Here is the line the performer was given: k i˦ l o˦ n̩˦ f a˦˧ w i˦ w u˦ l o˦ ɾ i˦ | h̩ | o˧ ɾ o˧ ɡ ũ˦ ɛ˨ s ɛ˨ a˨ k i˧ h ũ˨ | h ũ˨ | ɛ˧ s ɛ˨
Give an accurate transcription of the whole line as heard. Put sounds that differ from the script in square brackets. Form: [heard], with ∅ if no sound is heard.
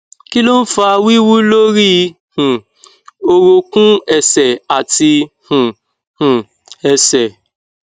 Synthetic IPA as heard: k i˦ l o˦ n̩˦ f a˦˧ w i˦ w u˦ l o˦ ɾ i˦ | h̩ | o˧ ɾ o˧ [k] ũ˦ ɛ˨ s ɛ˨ a˨ [t] i˧ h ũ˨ | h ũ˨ | ɛ˧ s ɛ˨